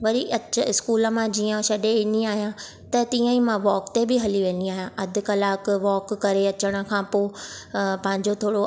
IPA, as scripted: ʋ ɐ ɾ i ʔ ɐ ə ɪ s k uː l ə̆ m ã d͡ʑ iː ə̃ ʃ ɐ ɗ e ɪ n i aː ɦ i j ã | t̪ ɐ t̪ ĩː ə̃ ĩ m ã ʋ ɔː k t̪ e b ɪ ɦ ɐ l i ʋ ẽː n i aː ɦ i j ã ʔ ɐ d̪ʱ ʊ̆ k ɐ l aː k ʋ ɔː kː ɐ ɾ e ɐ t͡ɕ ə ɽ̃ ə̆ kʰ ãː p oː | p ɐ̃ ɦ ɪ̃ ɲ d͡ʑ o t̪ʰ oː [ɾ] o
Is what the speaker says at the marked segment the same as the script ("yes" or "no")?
no